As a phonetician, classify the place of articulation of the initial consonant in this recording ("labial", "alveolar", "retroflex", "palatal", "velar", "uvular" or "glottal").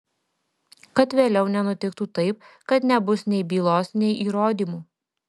velar